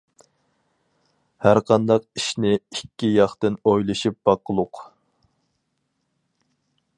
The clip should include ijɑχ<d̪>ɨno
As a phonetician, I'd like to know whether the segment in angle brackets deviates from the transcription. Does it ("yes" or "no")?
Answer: yes